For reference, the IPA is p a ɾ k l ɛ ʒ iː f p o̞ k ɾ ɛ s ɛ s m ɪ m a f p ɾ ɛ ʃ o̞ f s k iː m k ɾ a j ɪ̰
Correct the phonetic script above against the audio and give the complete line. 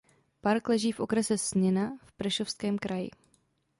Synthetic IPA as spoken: p a ɾ k l ɛ ʒ iː f ʔ o̞ k ɾ ɛ s ɛ s ɲ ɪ n a f p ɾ ɛ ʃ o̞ f s k ɛː m k ɾ a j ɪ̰